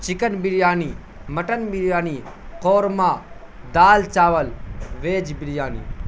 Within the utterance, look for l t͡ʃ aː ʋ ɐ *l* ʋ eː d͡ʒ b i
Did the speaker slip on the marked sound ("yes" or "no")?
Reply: no